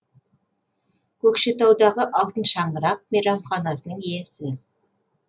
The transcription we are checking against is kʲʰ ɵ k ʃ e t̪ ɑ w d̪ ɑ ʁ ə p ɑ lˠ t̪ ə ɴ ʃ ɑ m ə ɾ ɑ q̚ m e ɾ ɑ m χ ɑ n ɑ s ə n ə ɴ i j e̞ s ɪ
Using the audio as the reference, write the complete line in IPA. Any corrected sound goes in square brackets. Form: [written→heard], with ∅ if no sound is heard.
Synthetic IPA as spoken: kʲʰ ɵ k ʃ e t̪ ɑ w d̪ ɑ ʁ ə [p→ʔ] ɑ lˠ t̪ ə [ɴ→n] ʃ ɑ [m→ɴ] ə ɾ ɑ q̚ m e ɾ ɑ m χ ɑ n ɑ s ə n ə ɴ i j e̞ s ɪ

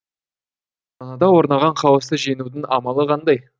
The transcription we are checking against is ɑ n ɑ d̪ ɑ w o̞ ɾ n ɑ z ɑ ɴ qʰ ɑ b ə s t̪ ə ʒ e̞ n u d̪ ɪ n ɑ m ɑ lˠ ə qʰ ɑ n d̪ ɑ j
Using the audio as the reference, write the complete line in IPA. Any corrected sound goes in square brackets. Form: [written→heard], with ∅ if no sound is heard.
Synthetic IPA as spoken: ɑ n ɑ d̪ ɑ w o̞ ɾ n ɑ [z→ʁ] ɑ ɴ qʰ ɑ [b→w] ə s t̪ ə ʒ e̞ n u d̪ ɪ n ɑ m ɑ lˠ ə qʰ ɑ n d̪ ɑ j

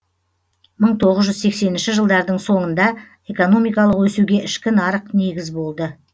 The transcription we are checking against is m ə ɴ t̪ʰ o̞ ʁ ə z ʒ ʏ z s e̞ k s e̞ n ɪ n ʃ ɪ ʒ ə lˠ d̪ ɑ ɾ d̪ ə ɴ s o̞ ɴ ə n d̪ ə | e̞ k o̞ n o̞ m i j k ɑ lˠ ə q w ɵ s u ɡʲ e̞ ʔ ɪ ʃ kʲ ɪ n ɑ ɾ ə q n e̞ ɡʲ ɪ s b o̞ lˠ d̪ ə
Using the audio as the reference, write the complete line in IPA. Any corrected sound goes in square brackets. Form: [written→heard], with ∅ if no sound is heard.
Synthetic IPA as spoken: m ə ɴ t̪ʰ o̞ ʁ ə z ʒ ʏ z s e̞ k s e̞ n ɪ n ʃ ɪ ʒ ə lˠ d̪ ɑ ɾ d̪ ə ɴ s o̞ ɴ ə n d̪ [ə→ɑ] | e̞ k o̞ n o̞ m i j k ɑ lˠ ə q w ɵ s u ɡʲ e̞ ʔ ɪ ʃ kʲ ɪ n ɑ ɾ ə q n e̞ ɡʲ ɪ [s→z] b o̞ lˠ d̪ ə

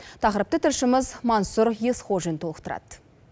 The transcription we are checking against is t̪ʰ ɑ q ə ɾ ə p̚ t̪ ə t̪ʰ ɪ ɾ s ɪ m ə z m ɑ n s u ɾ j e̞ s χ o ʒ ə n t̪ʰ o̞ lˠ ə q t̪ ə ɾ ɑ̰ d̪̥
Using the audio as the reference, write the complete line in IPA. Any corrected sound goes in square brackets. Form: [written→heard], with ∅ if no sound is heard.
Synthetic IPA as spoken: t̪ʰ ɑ q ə ɾ ə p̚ t̪ ə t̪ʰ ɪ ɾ [s→ʃ] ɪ m ə z m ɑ n s u ɾ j e̞ s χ o ʒ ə n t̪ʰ o̞ lˠ ə q t̪ ə ɾ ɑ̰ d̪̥

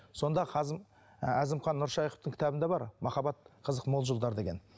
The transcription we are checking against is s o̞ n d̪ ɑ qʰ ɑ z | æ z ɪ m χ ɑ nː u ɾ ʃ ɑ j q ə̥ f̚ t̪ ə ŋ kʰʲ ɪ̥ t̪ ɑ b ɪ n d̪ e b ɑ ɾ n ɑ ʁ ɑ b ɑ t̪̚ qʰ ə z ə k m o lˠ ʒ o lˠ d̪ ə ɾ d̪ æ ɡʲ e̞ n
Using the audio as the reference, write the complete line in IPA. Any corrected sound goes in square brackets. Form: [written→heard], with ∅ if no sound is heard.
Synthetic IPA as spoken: s o̞ n d̪ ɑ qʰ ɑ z | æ z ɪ m χ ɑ nː [u→ʊ] ɾ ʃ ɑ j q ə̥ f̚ t̪ ə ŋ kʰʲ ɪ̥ t̪ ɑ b ɪ n d̪ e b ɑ ɾ [n→m] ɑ [ʁ→χ] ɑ b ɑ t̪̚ qʰ ə z ə [k→q] m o lˠ ʒ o lˠ d̪ [ə→ɑ] ɾ d̪ [æ→e] ɡʲ e̞ n

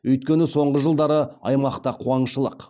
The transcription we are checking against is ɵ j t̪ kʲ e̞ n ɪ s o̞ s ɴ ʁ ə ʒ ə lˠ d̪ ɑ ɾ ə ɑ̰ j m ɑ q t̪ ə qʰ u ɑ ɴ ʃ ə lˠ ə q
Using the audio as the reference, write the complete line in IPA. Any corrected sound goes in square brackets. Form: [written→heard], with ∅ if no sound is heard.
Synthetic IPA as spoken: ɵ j t̪ kʲ e̞ n ɪ s o̞ [s→∅] ɴ ʁ ə ʒ ə lˠ d̪ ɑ ɾ ə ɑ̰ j m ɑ q t̪ [ə→ɑ] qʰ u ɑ ɴ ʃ ə lˠ ə q

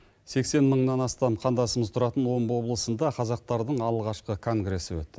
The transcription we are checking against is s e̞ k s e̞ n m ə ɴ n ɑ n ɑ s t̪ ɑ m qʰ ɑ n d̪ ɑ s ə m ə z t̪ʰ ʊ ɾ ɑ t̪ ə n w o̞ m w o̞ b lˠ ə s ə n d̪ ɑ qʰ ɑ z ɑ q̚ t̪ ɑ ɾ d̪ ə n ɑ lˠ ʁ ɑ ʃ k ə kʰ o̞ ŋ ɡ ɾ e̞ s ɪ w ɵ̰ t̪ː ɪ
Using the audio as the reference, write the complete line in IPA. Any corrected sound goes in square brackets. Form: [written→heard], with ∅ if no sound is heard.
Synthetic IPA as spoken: s e̞ k s e̞ n m ə ɴ n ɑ n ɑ s t̪ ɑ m qʰ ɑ n d̪ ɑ s ə m ə z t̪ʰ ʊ ɾ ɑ t̪ ə n w o̞ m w o̞ b lˠ ə s ə n d̪ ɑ qʰ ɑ z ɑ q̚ t̪ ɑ ɾ d̪ ə [n→ɴ] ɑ lˠ ʁ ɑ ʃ [k→q] ə kʰ o̞ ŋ ɡ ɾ e̞ s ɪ w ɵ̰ t̪ː ɪ

